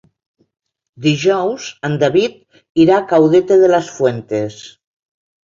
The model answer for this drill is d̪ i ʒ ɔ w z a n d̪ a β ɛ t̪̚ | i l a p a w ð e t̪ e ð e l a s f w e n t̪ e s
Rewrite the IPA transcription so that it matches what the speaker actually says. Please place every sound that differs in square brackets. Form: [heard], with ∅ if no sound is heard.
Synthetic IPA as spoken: d̪ i ʒ ɔ w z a n d̪ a β [i] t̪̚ | i [ɾ] a [k] a w ð e t̪ e ð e l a s f w e n t̪ e s